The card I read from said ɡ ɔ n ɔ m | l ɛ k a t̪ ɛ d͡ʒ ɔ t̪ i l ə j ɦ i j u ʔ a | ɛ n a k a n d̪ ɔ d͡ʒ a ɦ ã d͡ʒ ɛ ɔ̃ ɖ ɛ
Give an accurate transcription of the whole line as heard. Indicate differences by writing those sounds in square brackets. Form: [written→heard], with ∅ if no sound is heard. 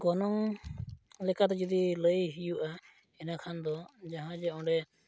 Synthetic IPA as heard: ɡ ɔ n ɔ [m→ŋ] | l ɛ k a t̪ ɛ d͡ʒ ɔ [t̪→d̪] i l ə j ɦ i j u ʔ a | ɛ n a [k→kʰ] a n d̪ ɔ d͡ʒ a ɦ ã d͡ʒ ɛ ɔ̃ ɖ ɛ